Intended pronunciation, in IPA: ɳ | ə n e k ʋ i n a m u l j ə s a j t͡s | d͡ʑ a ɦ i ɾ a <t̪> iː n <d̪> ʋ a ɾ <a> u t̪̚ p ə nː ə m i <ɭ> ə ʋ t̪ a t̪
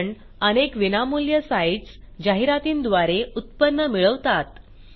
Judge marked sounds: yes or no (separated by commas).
yes, yes, no, yes